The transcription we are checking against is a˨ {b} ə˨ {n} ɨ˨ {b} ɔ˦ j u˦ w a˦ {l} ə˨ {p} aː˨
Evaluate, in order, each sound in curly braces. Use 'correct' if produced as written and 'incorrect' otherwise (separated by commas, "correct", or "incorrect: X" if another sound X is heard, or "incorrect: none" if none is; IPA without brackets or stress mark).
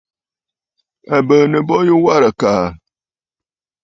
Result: correct, correct, correct, incorrect: ɾ, incorrect: k